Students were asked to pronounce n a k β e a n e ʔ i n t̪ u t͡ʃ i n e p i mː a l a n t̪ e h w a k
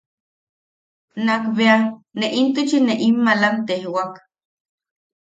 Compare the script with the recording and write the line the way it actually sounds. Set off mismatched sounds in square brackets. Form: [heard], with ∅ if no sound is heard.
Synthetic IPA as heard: n a k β e a n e ʔ i n t̪ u t͡ʃ i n e [ʔ] i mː a l a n t̪ e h w a k

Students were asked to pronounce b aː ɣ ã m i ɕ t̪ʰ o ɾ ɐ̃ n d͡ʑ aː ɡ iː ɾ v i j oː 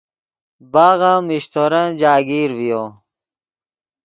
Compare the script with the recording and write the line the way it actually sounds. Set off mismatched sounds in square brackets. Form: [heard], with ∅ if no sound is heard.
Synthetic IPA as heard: b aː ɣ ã m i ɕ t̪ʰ o ɾ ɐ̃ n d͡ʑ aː ɡ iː ɾ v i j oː

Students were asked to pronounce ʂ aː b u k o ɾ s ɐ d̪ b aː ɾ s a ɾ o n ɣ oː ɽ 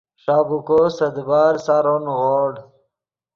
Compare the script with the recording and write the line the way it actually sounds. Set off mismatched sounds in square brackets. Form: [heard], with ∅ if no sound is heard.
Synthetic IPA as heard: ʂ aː b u k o [∅] s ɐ d̪ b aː ɾ s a ɾ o n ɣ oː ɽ

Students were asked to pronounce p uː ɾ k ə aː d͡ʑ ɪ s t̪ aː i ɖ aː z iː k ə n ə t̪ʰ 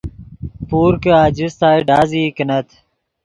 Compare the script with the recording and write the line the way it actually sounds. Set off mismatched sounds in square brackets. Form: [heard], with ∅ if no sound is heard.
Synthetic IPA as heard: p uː ɾ k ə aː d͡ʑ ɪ s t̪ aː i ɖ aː z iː k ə n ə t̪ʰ

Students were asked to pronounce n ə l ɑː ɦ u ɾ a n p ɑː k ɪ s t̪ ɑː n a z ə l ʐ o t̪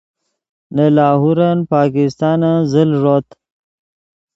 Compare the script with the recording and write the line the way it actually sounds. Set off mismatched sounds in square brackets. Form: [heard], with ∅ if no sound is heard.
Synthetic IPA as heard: n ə l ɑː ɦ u ɾ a n p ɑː k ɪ s t̪ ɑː n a z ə l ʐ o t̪

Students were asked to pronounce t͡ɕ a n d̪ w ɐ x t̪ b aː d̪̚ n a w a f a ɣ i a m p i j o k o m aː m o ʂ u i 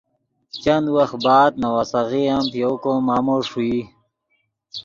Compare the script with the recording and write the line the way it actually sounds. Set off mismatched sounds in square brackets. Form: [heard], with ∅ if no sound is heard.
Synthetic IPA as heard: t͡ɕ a n d̪ w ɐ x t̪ b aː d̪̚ n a w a [s] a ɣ i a m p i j o k o m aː m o ʂ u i

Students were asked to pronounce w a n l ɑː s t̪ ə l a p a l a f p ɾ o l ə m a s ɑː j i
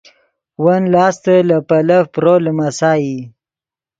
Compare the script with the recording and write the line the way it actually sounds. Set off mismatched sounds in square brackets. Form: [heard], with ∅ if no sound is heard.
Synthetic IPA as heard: w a n l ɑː s t̪ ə l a p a l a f p ɾ o l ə m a s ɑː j i

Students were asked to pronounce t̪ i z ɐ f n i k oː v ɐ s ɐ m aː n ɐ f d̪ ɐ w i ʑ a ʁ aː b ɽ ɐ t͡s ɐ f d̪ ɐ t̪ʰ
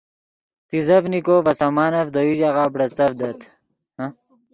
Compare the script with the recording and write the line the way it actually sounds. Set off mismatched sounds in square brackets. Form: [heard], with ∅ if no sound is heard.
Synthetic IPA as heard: t̪ i z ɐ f n i k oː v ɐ s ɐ m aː n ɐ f d̪ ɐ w i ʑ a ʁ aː b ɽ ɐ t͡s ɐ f d̪ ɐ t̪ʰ

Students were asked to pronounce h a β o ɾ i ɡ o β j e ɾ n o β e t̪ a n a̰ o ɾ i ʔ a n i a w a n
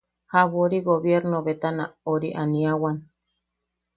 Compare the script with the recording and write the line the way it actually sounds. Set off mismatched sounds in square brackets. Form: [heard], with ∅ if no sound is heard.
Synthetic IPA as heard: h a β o ɾ i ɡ o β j e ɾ n o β e t̪ a n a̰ o ɾ i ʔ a n i a w a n

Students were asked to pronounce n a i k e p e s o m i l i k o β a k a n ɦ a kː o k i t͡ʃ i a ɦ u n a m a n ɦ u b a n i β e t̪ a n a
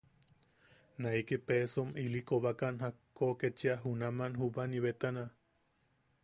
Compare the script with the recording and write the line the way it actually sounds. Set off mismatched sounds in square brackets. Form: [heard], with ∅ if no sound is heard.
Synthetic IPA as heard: n a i k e p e s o m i l i k o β a k a n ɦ a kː o k [e] t͡ʃ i a ɦ u n a m a n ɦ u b a n i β e t̪ a n a

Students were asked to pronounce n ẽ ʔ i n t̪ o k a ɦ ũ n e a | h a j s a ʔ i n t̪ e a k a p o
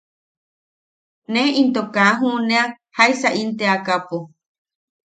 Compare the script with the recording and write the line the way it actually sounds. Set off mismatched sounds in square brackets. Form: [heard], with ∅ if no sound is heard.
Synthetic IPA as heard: n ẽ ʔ i n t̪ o k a ɦ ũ n e a | h a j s a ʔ i n t̪ e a k a p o

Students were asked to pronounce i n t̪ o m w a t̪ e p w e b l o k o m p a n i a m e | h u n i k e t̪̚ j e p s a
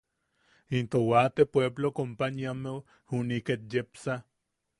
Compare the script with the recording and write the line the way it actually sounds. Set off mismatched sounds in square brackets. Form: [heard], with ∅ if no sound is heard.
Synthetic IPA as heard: i n t̪ o [∅] w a t̪ e p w e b l o k o m p a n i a m e | h u n i k e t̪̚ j e p s a

